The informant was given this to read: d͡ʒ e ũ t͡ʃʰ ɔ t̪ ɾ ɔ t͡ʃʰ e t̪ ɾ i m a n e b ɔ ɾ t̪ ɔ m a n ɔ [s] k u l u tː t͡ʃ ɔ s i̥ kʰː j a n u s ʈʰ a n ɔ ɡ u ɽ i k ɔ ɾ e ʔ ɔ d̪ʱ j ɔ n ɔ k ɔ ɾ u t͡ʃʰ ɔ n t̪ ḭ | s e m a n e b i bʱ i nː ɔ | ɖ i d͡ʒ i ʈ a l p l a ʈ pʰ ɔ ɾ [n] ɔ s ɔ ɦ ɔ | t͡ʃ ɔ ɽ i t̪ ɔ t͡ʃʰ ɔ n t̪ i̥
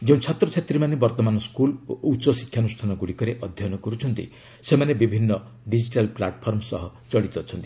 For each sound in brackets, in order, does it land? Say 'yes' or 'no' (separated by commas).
yes, no